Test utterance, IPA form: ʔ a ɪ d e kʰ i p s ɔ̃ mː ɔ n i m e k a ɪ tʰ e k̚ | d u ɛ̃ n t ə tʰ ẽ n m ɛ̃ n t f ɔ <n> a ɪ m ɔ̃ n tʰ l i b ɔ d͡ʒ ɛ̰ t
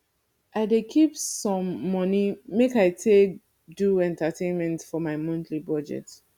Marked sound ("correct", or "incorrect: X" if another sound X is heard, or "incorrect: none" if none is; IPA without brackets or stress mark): incorrect: m